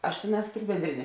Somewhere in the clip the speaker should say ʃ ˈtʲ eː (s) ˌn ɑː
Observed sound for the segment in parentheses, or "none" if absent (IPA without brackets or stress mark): none